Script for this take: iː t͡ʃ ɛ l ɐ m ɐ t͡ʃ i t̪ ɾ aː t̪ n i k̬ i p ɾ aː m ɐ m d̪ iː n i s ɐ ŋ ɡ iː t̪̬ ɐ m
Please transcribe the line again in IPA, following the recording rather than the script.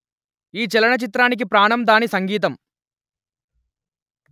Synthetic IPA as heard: iː t͡ʃ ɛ l ɐ ɳ ɐ t͡ʃ i t̪ ɾ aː n i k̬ i p ɾ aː ɳ ɐ m d̪ aː n i s ɐ ŋ ɡ iː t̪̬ ɐ m